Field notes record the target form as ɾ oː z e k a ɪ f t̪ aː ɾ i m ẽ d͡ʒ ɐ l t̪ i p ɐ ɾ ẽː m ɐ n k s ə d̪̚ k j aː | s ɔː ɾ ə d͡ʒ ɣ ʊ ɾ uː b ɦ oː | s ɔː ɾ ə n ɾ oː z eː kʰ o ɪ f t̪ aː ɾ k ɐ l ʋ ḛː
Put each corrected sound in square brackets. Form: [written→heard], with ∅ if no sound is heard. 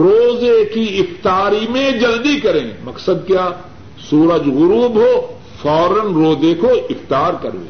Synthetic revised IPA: ɾ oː z e k [a→i] ɪ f t̪ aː ɾ i m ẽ d͡ʒ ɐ l [t̪→d̪] i [p→k] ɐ ɾ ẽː m ɐ [n→∅] k s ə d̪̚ k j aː | s [ɔː→uː] ɾ ə d͡ʒ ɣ ʊ ɾ uː b ɦ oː | [s→f] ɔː ɾ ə n ɾ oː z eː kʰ o ɪ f t̪ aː ɾ k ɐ [l→ɾ] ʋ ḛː